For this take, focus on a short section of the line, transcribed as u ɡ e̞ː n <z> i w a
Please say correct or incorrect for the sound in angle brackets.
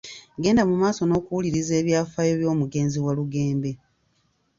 correct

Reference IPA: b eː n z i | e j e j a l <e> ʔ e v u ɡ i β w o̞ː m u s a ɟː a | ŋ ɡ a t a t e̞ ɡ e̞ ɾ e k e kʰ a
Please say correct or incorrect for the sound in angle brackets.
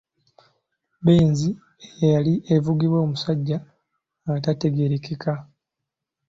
incorrect: i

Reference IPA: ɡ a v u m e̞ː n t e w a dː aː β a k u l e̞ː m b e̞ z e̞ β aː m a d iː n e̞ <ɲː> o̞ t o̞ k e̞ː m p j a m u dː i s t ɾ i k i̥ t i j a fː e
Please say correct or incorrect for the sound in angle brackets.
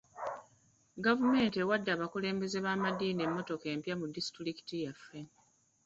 incorrect: mː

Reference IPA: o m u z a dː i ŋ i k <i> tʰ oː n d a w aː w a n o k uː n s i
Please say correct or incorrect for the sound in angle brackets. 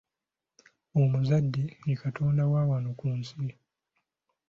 incorrect: a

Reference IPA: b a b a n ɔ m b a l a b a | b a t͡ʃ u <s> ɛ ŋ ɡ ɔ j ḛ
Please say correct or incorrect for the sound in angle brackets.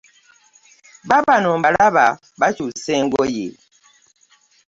correct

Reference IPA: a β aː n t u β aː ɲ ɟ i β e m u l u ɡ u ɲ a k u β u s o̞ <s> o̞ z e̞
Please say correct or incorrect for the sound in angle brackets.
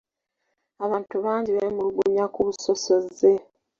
correct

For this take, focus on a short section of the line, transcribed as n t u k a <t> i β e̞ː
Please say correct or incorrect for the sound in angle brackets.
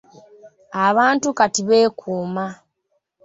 correct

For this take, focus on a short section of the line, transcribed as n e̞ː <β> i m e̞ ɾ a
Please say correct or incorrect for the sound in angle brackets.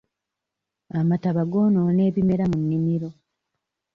correct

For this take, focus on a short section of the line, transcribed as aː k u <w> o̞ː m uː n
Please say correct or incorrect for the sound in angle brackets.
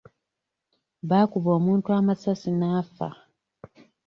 incorrect: β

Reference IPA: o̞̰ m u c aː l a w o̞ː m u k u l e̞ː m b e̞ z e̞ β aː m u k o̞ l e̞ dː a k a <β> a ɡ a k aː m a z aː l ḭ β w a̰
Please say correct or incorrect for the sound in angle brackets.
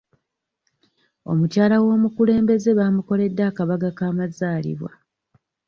correct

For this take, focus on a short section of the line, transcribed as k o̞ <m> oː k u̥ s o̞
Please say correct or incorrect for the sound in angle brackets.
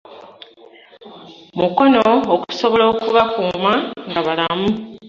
incorrect: n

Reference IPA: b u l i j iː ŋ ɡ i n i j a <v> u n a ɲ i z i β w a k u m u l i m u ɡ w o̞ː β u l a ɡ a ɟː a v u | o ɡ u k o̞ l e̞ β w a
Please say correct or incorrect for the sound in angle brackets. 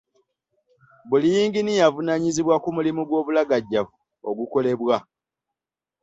correct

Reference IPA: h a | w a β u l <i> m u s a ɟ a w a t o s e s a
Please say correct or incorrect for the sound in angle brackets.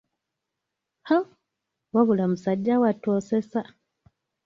incorrect: a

